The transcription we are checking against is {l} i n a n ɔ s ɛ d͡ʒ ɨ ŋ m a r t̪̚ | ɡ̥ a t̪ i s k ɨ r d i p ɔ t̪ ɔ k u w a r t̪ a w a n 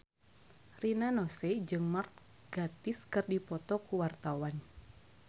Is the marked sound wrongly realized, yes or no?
yes